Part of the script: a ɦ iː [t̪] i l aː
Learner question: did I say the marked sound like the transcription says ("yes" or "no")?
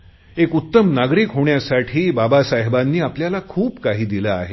no